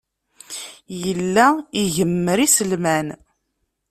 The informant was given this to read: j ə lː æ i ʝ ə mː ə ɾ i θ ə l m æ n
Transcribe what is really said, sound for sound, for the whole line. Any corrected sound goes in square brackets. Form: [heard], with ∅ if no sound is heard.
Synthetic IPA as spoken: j ə lː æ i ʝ ə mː ə ɾ i [s] ə l m æ n

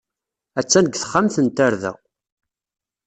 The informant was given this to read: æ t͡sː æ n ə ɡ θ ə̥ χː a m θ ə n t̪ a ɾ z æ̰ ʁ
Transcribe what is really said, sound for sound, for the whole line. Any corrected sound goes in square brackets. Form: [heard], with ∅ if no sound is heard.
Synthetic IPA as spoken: æ t͡sː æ n ə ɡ θ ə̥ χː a m θ ə n t̪ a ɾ [ð] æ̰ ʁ

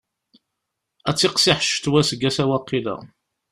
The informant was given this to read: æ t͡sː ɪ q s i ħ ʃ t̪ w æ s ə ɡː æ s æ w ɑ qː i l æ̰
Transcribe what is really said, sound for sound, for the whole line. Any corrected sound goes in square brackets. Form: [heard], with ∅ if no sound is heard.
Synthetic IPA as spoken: æ t͡sː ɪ q s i ħ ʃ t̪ w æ s ə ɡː æ s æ w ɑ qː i l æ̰

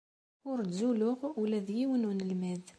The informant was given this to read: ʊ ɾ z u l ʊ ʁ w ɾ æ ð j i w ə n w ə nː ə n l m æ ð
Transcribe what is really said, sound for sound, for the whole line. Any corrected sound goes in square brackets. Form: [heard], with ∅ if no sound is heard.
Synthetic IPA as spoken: ʊ ɾ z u l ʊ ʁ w [l] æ ð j i w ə n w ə [n] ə [∅] l m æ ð

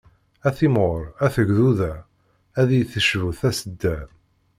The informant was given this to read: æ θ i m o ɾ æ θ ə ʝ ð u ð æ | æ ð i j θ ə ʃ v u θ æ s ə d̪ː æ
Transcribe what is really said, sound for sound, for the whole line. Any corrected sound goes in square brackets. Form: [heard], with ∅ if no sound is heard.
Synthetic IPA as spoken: æ θ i m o ɾ æ θ ə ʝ ð u ð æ | æ ð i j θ ə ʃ v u θ æ s ə d̪ː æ

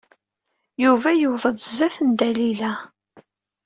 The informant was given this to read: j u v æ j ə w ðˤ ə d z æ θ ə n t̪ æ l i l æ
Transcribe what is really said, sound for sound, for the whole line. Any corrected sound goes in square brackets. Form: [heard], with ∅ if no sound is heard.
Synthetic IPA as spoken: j u v æ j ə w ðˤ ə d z æ θ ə n [d̪] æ l i l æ

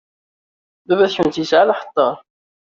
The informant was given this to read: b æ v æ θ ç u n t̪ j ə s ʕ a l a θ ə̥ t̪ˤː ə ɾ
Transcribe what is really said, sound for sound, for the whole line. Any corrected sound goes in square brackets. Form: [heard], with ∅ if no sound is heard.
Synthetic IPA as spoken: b æ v æ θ ç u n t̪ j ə s ʕ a l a [ħ] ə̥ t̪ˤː [ɑ] ɾ

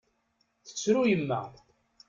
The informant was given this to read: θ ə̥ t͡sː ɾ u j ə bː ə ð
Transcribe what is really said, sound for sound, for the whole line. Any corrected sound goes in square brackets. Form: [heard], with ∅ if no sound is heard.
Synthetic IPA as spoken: θ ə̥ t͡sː ɾ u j ə [mː] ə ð

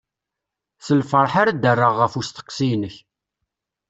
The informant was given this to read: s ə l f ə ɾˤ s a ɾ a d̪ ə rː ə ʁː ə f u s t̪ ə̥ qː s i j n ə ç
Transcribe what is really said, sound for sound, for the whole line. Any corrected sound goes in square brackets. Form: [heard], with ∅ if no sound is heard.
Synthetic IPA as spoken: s ə l f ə ɾˤ [ħ] a ɾ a d̪ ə rː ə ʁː ə f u s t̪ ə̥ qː s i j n ə ç

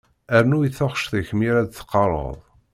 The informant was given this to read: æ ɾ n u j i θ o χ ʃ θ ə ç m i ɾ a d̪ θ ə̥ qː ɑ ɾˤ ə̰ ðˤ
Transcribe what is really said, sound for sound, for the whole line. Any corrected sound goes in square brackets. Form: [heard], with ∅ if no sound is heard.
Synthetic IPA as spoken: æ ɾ n u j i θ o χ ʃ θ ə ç m i ɾ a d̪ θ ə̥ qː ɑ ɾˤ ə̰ ðˤ

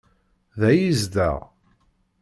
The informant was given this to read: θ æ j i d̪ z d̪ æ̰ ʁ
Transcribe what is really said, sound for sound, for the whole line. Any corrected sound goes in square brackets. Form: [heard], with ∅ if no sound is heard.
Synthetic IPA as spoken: [ð] æ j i [∅] z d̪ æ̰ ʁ

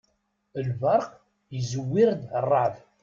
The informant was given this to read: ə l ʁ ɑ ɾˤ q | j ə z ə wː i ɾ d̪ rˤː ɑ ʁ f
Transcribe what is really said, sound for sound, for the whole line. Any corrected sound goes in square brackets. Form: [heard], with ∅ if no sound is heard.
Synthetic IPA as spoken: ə l [v] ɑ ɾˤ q | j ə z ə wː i ɾ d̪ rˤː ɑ [ʕ] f

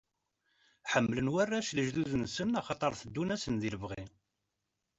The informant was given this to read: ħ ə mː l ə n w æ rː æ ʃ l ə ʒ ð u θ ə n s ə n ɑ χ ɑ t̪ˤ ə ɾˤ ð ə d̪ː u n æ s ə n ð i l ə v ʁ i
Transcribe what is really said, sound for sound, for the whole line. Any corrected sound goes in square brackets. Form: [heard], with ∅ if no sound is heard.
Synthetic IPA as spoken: ħ ə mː l ə n w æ rː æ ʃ l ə ʒ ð u [ð] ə n s ə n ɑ χ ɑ t̪ˤ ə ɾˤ [θ] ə d̪ː u n æ s ə n ð i l ə v ʁ i

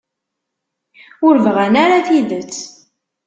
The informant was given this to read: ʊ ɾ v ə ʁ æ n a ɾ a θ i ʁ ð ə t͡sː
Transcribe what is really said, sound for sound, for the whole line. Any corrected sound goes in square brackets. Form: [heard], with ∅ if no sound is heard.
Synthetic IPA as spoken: ʊ ɾ v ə ʁ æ n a ɾ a θ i [∅] ð ə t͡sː

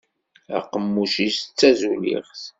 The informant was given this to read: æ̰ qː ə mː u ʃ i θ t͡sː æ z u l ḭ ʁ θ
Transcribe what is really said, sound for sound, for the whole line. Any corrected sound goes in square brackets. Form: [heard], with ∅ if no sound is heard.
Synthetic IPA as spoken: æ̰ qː ə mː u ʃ i [s] t͡sː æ z u l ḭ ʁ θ

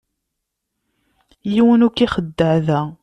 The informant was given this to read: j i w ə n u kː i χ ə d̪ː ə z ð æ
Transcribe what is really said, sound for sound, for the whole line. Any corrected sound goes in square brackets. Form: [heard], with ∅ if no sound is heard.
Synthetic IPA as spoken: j i w ə n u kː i χ ə d̪ː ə [ʕ] ð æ

